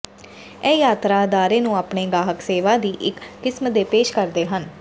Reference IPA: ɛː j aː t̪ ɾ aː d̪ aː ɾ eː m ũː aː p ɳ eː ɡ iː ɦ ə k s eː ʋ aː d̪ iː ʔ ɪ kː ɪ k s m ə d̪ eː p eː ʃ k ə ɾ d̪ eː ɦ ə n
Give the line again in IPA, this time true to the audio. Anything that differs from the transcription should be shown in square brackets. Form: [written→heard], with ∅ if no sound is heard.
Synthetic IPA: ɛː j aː t̪ ɾ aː d̪ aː ɾ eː [m→n] ũː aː p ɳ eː ɡ [iː→aː] ɦ ə k s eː ʋ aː d̪ iː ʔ ɪ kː ɪ [k→∅] s m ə d̪ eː p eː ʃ k ə ɾ d̪ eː ɦ ə n

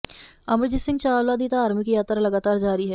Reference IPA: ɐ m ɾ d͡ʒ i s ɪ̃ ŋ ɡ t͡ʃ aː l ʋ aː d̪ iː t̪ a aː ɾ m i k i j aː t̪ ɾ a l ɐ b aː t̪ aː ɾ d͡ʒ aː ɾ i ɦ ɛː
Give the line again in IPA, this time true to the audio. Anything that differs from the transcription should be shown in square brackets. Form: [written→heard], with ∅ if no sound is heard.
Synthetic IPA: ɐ m ɾ d͡ʒ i s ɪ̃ ŋ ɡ t͡ʃ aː l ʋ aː d̪ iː t̪ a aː ɾ m i k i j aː t̪ ɾ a l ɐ [b→ɡ] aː t̪ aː ɾ d͡ʒ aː ɾ i ɦ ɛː

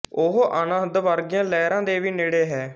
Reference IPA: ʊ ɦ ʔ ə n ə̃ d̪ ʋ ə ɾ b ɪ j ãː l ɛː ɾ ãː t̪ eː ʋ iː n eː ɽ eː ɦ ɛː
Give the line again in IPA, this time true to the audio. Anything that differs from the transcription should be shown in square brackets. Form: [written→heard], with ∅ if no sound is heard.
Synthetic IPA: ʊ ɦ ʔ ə n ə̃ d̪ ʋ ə ɾ [b→ɡ] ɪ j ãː l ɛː ɾ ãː [t̪→d̪] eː ʋ iː n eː ɽ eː ɦ ɛː

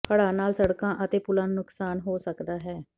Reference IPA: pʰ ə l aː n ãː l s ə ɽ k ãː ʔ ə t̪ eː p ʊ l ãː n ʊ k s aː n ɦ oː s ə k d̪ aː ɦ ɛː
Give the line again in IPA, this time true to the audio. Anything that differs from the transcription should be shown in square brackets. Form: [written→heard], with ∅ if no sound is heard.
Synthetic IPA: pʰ ə [l→ɽ] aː n [ãː→aː] l s ə ɽ k ãː ʔ ə t̪ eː p ʊ l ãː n ʊ k s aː n ɦ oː s ə k d̪ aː ɦ ɛː

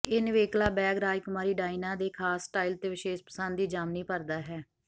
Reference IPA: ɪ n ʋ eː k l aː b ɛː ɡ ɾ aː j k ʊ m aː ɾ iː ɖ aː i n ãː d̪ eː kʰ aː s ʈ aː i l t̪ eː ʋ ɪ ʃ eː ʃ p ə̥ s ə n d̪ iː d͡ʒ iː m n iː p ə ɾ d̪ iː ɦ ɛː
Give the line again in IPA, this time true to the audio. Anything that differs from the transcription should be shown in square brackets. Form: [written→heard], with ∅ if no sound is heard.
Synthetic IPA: ɪ n ʋ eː k l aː b ɛː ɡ ɾ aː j k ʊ m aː ɾ iː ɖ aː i n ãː d̪ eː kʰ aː s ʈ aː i l t̪ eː ʋ ɪ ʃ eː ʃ p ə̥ s ə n d̪ iː d͡ʒ [iː→aː] m n iː p ə ɾ d̪ [iː→aː] ɦ ɛː

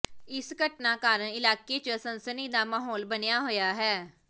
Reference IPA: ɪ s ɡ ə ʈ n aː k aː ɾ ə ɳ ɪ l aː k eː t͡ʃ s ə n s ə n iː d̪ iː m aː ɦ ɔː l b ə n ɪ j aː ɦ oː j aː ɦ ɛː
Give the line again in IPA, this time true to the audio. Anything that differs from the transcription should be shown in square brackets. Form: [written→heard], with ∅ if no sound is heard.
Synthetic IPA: ɪ s ɡ ə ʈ n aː k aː ɾ ə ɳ ɪ l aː k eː t͡ʃ s ə n s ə n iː d̪ [iː→aː] m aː ɦ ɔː l b ə n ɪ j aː ɦ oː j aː ɦ ɛː

